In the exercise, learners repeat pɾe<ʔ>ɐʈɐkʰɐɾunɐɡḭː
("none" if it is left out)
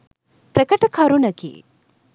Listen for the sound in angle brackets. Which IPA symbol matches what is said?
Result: k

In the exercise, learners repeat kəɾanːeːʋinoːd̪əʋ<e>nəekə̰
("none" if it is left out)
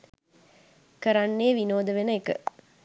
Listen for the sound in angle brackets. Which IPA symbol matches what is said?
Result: e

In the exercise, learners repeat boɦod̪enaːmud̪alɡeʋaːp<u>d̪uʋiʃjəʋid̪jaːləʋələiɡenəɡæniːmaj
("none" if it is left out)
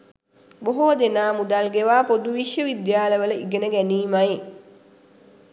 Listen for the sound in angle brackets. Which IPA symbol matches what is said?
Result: o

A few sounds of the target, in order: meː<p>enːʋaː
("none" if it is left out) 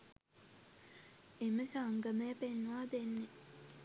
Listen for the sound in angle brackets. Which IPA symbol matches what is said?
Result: p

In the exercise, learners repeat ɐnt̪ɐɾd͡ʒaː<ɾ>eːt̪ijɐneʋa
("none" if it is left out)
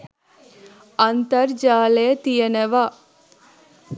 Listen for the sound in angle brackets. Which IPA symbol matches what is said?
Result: l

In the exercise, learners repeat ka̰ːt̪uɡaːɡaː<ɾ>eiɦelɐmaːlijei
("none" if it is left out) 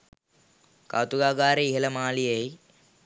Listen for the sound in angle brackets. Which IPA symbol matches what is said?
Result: ɾ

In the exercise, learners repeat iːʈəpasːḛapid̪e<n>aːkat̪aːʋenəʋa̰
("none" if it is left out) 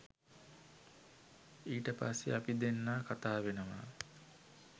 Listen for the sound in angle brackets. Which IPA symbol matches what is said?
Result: nː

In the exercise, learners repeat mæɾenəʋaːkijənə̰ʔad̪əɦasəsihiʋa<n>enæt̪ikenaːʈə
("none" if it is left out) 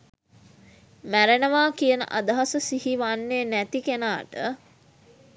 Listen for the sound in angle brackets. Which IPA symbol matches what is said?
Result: nː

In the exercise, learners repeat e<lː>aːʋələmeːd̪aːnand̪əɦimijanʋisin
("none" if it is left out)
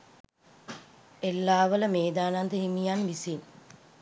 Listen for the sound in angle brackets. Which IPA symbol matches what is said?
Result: lː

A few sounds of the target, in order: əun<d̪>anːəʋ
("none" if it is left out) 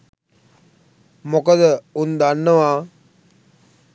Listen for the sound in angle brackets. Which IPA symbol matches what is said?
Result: d̪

